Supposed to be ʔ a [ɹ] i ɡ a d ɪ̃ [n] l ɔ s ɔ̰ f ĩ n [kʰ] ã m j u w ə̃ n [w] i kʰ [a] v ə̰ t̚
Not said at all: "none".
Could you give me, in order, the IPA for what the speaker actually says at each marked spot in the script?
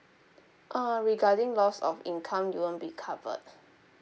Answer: ɹ, ŋ, kʰ, b, a

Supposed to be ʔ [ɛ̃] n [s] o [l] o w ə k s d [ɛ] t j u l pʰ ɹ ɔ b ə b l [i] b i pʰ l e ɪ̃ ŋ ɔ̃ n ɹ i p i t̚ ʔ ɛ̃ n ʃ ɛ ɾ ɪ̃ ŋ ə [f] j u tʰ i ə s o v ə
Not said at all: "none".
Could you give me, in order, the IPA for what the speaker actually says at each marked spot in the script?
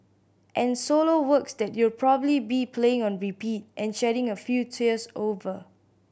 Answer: ɛ̃, s, l, ɛ, i, f

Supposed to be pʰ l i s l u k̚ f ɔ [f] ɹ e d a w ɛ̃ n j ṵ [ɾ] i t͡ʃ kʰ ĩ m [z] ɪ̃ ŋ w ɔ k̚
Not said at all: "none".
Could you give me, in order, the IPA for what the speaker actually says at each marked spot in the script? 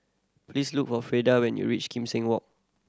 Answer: f, ɹ, s

